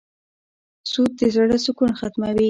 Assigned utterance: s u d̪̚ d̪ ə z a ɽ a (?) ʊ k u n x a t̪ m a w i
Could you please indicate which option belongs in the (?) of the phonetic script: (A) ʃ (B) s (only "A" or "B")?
B